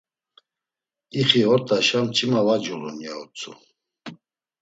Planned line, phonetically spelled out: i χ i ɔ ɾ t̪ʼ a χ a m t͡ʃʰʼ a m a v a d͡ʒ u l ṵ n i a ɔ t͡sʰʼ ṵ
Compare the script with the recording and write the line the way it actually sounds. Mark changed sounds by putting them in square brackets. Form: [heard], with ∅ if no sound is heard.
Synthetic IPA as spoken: i χ i ɔ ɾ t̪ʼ a [ʃ] a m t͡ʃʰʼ [i] m a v a d͡ʒ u l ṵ n [j] a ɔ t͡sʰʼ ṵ